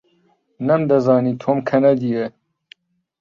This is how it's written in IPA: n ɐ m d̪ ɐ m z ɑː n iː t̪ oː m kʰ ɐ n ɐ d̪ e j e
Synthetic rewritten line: n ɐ m d̪ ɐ z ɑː n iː t̪ʰ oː m kʰ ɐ n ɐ d̪ i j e